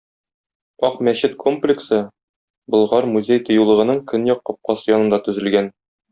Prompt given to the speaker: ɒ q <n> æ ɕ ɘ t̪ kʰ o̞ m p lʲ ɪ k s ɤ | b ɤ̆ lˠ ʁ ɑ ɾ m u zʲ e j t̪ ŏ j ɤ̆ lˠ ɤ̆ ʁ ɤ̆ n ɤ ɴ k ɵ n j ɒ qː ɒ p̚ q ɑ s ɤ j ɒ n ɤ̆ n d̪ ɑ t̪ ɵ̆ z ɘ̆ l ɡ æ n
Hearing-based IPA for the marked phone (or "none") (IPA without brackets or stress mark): m